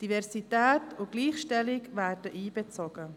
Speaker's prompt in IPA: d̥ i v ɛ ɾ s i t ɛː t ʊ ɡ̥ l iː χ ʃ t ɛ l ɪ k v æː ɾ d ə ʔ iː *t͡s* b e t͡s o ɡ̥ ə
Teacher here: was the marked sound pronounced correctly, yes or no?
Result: no